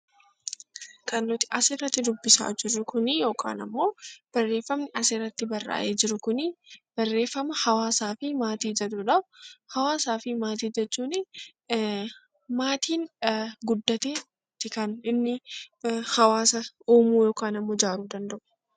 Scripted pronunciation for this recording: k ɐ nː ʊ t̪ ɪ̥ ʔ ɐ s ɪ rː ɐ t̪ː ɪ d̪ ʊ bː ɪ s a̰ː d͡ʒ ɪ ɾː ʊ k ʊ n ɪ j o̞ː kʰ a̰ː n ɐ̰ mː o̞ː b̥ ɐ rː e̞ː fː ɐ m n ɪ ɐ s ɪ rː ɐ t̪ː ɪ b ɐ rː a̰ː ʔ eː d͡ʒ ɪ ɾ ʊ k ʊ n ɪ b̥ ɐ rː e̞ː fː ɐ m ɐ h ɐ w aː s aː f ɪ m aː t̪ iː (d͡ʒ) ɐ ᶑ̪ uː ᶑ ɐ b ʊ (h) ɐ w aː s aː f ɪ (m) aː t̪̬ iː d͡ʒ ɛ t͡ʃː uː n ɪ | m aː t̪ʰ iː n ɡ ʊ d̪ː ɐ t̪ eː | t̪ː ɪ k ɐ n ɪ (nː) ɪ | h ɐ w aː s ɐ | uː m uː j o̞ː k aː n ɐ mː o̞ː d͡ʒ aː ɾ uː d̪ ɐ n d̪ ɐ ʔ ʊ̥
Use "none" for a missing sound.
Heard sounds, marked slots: d͡ʒ, h, m, nː

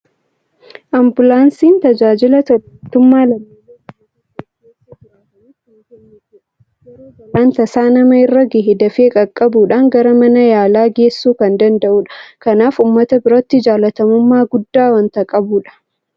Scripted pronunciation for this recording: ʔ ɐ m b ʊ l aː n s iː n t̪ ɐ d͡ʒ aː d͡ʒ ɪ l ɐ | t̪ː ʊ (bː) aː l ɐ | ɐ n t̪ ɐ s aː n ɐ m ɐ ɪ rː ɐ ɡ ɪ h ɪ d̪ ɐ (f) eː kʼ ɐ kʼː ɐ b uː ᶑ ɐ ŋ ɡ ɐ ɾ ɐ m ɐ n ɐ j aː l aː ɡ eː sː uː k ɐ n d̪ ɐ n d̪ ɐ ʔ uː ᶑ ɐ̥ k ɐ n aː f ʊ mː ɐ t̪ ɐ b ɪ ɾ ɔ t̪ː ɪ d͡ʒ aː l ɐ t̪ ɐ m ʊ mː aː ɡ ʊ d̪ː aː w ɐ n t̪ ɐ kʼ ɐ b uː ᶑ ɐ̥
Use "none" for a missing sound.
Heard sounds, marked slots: mː, f

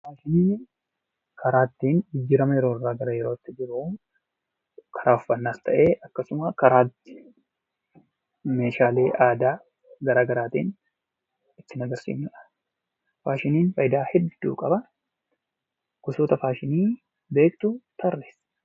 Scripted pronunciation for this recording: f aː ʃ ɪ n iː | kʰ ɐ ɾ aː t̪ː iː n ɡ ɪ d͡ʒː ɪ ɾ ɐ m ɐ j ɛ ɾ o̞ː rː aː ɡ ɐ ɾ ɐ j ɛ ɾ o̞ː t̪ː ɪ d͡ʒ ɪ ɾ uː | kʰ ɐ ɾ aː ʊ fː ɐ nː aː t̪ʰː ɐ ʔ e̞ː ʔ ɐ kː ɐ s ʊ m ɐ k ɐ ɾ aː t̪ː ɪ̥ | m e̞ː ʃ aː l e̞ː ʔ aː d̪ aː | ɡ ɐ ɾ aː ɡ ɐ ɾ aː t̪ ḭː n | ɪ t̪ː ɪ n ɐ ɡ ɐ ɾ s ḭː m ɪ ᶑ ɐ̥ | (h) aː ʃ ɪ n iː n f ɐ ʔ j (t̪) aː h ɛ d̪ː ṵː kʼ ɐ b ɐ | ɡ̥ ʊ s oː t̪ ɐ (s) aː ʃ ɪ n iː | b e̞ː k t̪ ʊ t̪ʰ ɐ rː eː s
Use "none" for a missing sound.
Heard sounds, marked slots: f, d̪, f

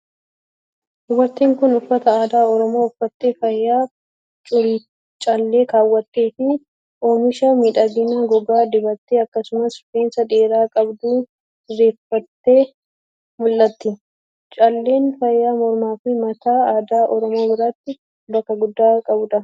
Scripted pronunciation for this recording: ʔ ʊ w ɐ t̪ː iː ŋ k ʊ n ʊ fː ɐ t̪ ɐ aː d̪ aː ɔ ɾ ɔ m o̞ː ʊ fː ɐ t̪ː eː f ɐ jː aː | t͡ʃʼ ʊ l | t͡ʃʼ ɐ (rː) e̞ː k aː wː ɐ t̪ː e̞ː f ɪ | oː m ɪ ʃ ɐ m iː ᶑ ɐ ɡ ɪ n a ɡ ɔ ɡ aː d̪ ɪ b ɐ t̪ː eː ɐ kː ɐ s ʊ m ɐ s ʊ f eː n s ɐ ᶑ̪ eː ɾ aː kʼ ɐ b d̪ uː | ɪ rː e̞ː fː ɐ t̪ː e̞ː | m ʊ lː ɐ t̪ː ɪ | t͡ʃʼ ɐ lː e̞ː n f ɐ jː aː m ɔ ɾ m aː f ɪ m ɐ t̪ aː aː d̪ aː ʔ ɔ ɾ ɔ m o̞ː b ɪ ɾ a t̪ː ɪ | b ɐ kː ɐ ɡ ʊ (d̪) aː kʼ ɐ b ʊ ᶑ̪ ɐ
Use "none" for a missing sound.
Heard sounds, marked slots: lː, d̪ː

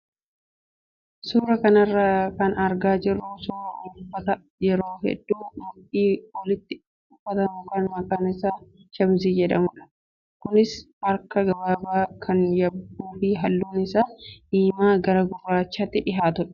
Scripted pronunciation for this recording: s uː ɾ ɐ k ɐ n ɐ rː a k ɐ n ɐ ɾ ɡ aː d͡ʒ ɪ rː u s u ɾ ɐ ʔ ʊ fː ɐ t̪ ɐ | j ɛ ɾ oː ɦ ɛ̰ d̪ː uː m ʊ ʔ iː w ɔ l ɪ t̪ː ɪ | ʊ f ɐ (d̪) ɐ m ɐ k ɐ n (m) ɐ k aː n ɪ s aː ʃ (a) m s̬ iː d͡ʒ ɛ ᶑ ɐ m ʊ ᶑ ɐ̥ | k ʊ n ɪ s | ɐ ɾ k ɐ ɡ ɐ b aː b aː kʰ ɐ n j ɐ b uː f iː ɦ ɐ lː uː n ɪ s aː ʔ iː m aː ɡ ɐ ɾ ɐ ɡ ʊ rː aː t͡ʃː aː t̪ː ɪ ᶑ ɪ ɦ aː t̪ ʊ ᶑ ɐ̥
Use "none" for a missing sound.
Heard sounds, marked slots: t̪, m, ɐ

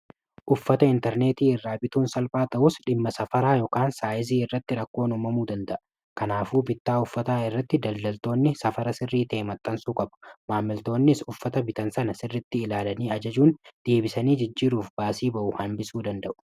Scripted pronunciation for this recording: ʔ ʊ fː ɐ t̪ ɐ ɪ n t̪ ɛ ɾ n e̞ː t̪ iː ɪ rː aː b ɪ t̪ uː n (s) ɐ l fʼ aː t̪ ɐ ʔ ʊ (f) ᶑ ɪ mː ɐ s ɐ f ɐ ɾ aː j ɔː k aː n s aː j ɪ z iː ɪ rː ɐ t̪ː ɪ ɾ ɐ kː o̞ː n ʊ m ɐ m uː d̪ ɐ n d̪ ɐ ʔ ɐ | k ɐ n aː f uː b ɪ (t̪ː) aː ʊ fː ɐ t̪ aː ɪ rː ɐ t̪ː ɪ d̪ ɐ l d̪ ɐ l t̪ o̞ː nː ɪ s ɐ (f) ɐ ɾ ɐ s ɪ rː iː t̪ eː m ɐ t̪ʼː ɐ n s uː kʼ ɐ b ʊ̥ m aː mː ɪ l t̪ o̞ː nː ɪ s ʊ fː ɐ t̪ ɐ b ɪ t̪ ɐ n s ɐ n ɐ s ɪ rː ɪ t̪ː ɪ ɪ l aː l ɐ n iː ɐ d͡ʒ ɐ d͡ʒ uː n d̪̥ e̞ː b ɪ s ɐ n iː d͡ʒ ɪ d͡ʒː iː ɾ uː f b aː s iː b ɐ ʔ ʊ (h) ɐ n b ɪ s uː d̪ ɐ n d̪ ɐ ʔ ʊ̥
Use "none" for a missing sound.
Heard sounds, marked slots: s, s, t̪ː, f, h

